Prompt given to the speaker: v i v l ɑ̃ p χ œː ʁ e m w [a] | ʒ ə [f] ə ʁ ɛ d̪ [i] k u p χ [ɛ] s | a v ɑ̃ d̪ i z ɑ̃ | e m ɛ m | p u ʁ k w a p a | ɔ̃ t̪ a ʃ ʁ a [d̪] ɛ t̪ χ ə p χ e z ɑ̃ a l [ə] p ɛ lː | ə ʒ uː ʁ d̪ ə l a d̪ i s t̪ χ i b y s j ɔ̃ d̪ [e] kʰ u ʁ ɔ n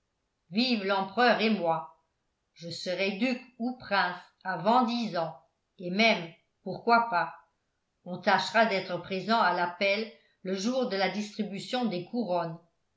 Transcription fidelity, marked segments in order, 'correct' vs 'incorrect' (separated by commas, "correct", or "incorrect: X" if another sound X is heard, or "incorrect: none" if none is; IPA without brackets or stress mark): correct, incorrect: s, incorrect: y, incorrect: ɛ̃, correct, incorrect: a, correct